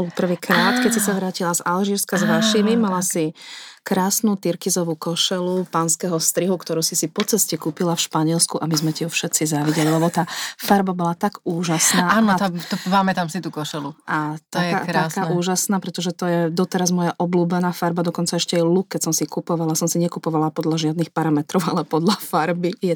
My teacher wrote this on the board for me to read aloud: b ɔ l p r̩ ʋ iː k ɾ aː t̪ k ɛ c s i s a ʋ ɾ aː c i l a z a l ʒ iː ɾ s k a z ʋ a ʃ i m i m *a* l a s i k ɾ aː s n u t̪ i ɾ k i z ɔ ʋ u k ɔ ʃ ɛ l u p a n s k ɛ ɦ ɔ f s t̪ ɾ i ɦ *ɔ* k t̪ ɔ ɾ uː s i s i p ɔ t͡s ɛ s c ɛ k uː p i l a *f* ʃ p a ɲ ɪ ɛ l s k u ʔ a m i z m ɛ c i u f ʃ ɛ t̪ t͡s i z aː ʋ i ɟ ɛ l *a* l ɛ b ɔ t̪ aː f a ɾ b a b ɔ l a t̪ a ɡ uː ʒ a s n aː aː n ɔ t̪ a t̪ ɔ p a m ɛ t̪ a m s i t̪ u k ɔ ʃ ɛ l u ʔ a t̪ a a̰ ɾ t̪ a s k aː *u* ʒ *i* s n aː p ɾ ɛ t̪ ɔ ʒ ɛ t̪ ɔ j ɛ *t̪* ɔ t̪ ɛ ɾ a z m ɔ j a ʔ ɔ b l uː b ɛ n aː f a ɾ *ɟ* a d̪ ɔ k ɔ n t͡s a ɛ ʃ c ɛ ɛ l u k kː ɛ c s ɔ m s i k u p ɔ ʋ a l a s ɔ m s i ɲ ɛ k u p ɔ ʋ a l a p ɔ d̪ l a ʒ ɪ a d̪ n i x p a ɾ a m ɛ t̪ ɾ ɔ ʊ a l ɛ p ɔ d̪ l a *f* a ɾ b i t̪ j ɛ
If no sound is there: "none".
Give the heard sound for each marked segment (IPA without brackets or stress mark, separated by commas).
a, u, f, i, uː, a, d̪, b, f